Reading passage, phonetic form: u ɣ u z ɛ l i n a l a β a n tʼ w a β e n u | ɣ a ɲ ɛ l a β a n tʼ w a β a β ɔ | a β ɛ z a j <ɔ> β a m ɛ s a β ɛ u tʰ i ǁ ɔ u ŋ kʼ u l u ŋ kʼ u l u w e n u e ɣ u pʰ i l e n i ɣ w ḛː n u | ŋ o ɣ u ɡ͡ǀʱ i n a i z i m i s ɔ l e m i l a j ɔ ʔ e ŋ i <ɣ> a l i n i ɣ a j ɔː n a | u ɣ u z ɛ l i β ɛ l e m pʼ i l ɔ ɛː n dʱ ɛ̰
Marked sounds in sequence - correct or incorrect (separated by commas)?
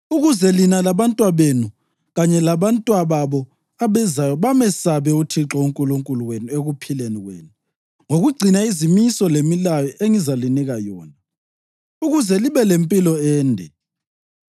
correct, incorrect